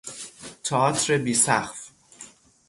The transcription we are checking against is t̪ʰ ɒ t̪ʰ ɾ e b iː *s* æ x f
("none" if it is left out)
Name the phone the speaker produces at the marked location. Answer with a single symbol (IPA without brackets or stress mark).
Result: s